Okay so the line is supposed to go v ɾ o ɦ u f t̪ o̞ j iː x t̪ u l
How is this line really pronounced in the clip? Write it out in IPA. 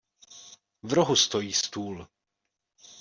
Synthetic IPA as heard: v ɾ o ɦ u s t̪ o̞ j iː s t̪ uː l